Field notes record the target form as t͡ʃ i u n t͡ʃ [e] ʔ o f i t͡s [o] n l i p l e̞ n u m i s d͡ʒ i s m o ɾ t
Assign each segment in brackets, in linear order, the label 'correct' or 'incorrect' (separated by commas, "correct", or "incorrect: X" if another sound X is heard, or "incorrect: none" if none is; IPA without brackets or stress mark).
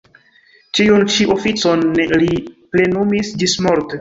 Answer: incorrect: i, correct